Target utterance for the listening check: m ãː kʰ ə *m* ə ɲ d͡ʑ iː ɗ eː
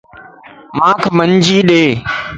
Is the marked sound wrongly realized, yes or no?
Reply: no